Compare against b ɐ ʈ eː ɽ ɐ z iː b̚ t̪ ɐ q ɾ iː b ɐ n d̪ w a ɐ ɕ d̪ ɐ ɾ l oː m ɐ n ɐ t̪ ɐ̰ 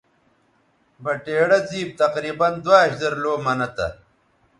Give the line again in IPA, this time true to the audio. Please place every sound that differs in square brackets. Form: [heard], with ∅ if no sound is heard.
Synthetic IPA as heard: b ɐ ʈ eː ɽ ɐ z iː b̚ t̪ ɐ q ɾ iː b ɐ n d̪ w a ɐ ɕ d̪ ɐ ɾ l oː m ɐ n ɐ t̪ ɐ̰